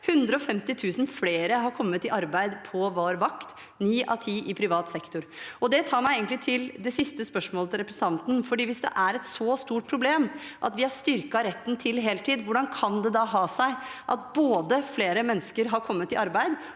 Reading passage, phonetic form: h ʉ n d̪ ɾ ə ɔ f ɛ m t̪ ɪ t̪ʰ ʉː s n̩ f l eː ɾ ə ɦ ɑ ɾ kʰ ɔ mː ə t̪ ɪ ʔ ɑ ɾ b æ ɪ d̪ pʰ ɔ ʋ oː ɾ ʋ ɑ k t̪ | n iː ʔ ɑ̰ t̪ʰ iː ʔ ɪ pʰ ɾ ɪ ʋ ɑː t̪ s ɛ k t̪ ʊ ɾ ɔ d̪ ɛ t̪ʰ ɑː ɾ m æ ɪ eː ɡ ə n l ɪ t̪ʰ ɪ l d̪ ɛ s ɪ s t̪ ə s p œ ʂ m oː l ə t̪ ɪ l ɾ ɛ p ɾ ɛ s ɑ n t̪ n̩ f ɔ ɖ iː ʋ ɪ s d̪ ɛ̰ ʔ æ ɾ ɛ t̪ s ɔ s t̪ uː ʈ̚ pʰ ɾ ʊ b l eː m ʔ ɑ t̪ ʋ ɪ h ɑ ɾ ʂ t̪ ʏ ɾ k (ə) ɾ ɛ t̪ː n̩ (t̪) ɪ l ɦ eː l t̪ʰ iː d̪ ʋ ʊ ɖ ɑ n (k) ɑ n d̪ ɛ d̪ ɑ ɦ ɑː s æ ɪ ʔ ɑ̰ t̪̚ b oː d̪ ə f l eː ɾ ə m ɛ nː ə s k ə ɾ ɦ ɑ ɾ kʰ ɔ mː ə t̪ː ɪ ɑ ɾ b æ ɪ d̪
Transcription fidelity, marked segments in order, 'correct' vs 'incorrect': incorrect: ɑ, incorrect: t̪ʰ, incorrect: kʰ

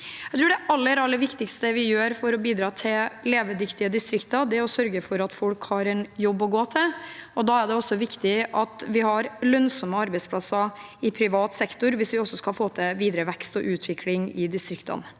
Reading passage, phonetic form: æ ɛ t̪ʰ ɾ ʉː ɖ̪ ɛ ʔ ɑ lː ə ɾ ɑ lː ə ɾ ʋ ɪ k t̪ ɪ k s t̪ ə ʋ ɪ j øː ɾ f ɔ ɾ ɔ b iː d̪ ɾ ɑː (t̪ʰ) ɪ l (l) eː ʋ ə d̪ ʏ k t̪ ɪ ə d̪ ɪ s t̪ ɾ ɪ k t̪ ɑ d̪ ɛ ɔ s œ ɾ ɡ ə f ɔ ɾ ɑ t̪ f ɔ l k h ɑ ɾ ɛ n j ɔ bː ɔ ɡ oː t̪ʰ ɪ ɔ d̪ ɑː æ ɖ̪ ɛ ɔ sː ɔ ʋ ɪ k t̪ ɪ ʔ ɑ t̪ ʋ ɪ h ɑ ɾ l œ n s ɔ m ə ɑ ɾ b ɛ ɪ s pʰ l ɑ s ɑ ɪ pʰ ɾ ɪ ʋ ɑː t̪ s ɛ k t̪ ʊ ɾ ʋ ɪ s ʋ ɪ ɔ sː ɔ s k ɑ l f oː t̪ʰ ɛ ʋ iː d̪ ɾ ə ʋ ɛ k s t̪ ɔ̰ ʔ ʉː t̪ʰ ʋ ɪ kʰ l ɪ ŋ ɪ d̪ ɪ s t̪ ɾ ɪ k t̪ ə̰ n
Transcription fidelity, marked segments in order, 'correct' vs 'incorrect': correct, correct

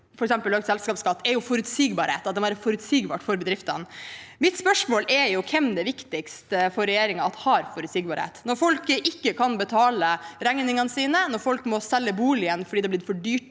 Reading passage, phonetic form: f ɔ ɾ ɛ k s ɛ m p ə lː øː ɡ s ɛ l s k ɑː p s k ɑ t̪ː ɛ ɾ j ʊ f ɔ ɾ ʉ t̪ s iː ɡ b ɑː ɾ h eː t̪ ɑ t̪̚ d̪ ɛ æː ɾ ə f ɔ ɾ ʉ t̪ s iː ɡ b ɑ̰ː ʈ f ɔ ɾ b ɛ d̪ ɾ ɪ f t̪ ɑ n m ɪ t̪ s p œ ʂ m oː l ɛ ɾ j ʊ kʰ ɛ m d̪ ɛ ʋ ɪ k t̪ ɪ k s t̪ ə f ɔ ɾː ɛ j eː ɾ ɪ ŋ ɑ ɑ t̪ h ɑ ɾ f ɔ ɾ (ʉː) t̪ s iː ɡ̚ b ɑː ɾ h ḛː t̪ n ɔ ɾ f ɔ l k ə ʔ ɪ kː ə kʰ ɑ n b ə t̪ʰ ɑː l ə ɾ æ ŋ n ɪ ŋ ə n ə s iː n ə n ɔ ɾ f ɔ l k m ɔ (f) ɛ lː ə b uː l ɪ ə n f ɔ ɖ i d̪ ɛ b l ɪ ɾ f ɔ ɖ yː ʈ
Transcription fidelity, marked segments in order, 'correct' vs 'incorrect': incorrect: ʉ, incorrect: s

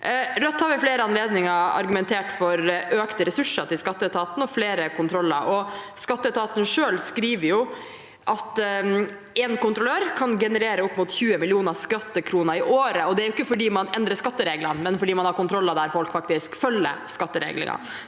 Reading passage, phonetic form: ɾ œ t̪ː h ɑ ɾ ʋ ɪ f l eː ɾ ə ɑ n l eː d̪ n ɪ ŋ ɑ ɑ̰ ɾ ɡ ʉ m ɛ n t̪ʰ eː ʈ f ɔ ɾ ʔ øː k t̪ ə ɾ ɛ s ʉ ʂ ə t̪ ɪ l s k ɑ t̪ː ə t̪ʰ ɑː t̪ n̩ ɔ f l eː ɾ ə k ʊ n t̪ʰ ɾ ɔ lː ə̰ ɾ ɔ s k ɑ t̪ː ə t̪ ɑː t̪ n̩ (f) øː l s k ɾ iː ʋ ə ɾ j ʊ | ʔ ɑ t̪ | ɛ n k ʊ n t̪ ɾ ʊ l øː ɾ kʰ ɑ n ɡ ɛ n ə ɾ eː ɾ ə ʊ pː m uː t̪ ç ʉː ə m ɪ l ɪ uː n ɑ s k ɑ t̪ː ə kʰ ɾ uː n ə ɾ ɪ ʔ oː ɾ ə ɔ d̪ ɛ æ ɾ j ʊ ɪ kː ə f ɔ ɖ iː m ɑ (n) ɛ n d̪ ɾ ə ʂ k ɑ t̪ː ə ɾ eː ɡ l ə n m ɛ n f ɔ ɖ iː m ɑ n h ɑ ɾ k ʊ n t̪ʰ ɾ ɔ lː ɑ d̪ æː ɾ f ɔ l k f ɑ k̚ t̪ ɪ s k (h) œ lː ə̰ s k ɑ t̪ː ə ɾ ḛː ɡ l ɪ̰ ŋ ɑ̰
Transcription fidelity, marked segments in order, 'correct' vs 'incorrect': incorrect: ʂ, correct, incorrect: f

